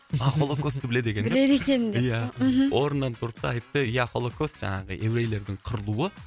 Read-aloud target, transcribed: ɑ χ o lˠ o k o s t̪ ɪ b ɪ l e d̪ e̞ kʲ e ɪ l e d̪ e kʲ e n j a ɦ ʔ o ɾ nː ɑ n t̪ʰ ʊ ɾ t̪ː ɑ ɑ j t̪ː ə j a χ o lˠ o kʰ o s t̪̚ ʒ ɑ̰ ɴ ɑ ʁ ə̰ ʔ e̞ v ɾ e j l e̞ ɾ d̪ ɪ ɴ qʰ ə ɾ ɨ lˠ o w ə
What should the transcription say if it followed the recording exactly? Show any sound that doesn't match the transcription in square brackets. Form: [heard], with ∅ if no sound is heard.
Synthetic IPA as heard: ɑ χ o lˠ o k o s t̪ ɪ b ɪ l e d̪ e̞ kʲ e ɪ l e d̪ e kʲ e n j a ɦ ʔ o ɾ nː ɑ n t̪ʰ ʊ ɾ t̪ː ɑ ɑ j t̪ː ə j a χ o lˠ o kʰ o s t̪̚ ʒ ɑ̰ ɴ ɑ ʁ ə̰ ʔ e̞ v ɾ e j l e̞ ɾ d̪ ɪ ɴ qʰ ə ɾ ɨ lˠ [u] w ə